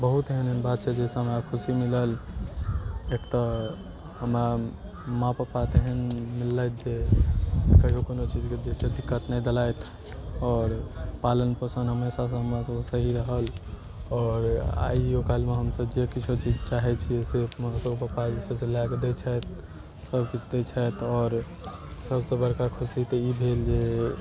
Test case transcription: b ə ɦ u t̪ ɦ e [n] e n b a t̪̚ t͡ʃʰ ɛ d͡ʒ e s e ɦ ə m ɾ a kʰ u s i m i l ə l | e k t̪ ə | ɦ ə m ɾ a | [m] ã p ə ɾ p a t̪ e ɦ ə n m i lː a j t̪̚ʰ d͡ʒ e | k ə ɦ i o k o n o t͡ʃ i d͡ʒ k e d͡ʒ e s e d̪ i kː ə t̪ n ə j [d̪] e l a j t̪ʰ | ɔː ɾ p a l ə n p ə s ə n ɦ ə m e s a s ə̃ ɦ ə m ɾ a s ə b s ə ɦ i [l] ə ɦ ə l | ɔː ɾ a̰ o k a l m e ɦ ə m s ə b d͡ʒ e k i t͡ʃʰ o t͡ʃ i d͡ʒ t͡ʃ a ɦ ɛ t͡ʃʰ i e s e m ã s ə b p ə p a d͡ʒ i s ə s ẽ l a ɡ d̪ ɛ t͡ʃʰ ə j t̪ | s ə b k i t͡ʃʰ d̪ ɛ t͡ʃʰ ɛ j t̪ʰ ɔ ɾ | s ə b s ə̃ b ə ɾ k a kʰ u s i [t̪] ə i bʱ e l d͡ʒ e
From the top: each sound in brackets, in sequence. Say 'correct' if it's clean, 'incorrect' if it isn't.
correct, correct, correct, incorrect: ɾ, correct

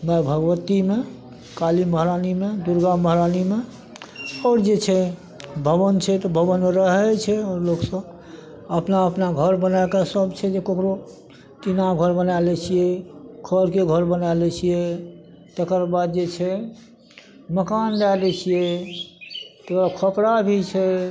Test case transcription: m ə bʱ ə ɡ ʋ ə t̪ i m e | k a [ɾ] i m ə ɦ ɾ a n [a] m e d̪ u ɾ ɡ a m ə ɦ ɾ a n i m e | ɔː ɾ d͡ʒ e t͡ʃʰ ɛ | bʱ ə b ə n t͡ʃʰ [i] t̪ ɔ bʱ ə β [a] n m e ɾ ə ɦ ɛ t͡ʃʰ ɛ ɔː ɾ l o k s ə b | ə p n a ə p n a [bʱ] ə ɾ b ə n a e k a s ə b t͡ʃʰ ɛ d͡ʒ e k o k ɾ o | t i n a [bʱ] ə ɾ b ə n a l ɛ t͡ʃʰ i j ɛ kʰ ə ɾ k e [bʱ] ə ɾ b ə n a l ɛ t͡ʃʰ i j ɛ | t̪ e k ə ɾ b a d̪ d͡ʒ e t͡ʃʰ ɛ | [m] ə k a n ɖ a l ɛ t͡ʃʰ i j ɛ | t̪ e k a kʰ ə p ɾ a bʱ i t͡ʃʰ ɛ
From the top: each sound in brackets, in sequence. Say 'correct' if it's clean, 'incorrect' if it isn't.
incorrect: l, incorrect: i, incorrect: ɛ, incorrect: ə, incorrect: ɡʱ, incorrect: ɡʱ, incorrect: ɡʱ, correct

